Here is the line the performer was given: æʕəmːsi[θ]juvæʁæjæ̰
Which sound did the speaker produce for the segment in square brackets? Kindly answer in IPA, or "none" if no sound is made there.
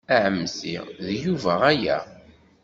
ð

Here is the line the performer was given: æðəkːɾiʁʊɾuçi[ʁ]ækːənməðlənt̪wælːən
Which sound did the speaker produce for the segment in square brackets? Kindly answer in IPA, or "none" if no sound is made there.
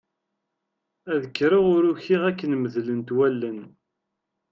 ʁ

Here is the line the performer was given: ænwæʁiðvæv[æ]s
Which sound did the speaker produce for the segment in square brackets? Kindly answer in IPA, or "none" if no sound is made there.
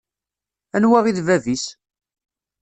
i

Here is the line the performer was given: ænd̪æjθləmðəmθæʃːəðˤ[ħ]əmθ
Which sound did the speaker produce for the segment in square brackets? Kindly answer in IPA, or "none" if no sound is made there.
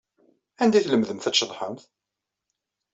ħ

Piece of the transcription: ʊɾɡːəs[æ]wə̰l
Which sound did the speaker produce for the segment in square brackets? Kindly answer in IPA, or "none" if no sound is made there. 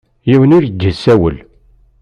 æ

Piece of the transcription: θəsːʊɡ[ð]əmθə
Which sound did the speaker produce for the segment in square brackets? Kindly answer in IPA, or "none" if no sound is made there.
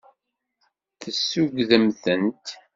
ð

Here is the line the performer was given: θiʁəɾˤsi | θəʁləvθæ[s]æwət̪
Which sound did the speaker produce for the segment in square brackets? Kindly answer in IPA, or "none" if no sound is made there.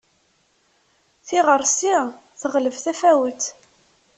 f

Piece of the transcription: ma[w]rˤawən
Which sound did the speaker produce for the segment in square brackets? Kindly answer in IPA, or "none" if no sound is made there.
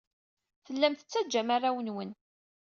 none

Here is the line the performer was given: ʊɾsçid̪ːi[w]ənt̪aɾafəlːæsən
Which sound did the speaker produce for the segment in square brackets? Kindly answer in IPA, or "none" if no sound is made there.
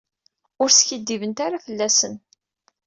v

